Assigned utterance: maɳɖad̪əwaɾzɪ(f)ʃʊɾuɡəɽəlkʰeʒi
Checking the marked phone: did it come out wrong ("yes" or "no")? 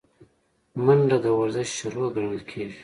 yes